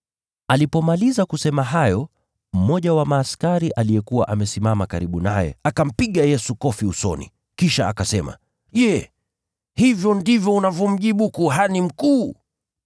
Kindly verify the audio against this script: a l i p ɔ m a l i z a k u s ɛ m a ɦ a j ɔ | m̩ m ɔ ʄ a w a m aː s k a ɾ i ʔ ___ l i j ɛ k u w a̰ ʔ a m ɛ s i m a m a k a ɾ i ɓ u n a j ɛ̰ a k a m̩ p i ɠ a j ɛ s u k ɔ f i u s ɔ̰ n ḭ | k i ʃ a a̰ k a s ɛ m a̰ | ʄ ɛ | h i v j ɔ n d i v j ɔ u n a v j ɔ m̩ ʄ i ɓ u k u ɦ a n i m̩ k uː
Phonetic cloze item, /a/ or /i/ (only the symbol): a